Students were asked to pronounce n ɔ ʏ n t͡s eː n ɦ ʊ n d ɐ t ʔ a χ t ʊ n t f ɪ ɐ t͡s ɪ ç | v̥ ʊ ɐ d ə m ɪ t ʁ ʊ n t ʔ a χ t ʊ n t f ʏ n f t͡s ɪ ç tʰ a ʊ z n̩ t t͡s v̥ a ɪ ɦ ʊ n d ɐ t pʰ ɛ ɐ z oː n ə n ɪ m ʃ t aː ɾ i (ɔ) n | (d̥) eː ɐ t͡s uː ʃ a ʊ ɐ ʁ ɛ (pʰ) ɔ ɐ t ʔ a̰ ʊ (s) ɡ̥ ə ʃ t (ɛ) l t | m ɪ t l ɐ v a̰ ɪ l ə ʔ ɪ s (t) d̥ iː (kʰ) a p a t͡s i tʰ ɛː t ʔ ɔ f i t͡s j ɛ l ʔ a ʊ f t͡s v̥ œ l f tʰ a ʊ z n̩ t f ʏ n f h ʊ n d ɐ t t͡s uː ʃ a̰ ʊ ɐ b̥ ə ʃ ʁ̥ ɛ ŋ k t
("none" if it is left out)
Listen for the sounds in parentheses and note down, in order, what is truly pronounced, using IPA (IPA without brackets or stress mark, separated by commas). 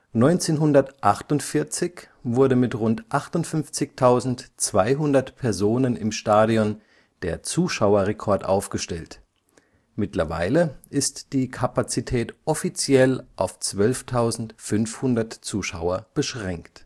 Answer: ɔ, d̥, kʰ, f, ɛ, t, kʰ